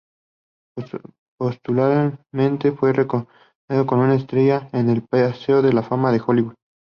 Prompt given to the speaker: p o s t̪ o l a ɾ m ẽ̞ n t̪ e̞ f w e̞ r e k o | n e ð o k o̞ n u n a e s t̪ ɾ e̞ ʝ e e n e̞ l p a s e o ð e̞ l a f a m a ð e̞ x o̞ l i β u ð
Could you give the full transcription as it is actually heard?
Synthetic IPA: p o s t̪ u l a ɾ m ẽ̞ n t̪ e̞ f w e̞ r e k o | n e ð o k o̞ n u n a e s t̪ ɾ e̞ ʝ a e n e̞ l p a s e o ð e̞ l a f a m a ð e̞ x o̞ l i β u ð

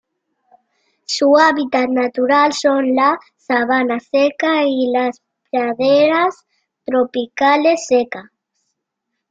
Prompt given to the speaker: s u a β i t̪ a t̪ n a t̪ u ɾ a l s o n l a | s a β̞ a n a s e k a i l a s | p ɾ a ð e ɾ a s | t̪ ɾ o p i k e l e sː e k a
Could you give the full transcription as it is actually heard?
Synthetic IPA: s u a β i t̪ a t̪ n a t̪ u ɾ a l s o n l a | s a β̞ a n a s e k a i l a s | p ɾ a ð e ɾ a s | t̪ ɾ o p i k a l e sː e k a

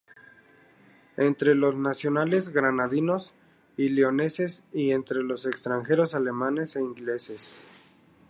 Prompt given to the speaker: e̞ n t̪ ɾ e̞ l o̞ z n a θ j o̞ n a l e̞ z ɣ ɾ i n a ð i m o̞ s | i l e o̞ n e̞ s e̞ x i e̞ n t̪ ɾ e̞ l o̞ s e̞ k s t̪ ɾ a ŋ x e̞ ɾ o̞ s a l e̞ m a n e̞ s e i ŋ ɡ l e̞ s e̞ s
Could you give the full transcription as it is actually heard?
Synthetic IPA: e̞ n t̪ ɾ e̞ l o̞ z n a s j o̞ n a l e̞ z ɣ ɾ a n a ð i n o̞ s | i l e o̞ n e̞ s e̞ s i e̞ n t̪ ɾ e̞ l o̞ s e̞ k s t̪ ɾ a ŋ x e̞ ɾ o̞ s a l e̞ m a n e̞ s e i ŋ ɡ l e̞ s e̞ s

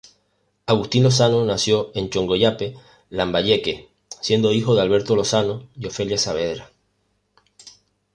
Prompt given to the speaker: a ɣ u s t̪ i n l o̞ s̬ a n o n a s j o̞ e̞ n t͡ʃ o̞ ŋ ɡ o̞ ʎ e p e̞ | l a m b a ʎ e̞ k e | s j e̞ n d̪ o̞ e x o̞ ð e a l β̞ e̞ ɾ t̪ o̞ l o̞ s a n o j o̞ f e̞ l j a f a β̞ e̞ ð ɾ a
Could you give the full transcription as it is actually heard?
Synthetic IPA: a ɣ u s t̪ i n l o̞ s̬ a n o n a s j o̞ e̞ n t͡ʃ o̞ ŋ ɡ o̞ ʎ a p e̞ | l a m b a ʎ e̞ k e | s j e̞ n d̪ o̞ i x o̞ ð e a l β̞ e̞ ɾ t̪ o̞ l o̞ s a n o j o̞ f e̞ l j a s a β̞ e̞ ð ɾ a

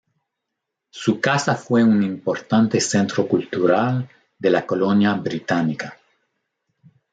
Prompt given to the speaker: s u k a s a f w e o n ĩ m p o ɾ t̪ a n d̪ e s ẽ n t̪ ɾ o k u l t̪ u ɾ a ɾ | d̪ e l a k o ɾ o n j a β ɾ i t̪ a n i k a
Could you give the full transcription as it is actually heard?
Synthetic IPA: s u k a s a f w e u n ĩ m p o ɾ t̪ a n t̪ e s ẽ n t̪ ɾ o k u l t̪ u ɾ a l | d̪ e l a k o l o n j a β ɾ i t̪ a n i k a

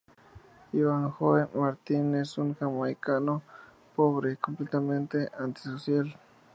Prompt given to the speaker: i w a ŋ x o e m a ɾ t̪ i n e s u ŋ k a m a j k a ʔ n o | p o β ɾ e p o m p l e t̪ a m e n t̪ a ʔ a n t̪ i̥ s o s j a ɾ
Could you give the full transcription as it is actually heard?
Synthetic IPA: i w a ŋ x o e m a ɾ t̪ i n e s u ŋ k a m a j k a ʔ n o | p o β ɾ e k o m p l e t̪ a m e n t̪ e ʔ a n t̪ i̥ s o s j a l

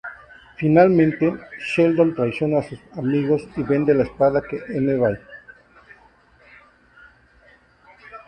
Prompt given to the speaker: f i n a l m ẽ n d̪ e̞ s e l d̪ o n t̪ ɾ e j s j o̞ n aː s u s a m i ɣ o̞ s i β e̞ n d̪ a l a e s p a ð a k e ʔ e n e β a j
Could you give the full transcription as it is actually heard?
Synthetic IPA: f i n a l m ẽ n t̪ e̞ ʃ e l d̪ o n t̪ ɾ a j s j o̞ n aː s u s a m i ɣ o̞ s i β e̞ n d̪ e l a e s p a ð a k e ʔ e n e β a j

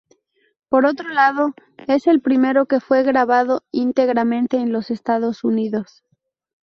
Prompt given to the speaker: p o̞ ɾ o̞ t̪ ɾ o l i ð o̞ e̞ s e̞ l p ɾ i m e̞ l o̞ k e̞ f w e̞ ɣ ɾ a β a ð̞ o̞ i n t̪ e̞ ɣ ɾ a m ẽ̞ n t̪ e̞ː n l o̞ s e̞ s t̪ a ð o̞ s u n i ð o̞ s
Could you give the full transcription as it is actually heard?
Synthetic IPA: p o̞ ɾ o̞ t̪ ɾ o l a ð o̞ e̞ s e̞ l p ɾ i m e̞ ɾ o̞ k e̞ f w e̞ ɣ ɾ a β a ð̞ o̞ i n t̪ e̞ ɣ ɾ a m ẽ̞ n t̪ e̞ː n l o̞ s e̞ s t̪ a ð o̞ s u n i ð o̞ s

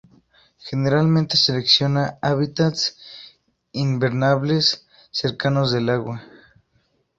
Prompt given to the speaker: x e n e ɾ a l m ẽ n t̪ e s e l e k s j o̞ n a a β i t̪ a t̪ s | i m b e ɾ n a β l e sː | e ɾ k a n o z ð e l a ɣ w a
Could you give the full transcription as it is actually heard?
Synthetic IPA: x e n e ɾ a l m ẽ n t̪ e s e l e k s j o̞ n a a β i t̪ a t̪ s | i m b e ɾ n a β l e sː | e ɾ k a n o z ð e l a ɣ w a

